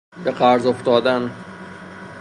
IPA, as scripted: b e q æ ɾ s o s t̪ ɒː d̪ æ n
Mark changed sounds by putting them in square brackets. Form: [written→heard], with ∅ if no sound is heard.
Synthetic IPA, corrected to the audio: b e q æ ɾ [s→z] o [s→f] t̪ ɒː d̪ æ n